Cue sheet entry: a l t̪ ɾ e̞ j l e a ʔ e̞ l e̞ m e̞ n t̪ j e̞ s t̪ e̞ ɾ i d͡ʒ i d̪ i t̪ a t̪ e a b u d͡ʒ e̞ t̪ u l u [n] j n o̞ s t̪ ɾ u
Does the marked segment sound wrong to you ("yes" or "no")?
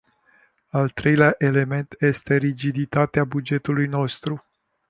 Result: yes